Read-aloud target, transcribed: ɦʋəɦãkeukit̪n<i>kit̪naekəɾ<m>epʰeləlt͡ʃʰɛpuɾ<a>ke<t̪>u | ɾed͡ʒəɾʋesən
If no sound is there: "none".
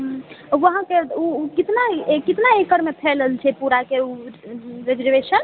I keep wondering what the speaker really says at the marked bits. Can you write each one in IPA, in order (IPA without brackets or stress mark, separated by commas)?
a, m, a, none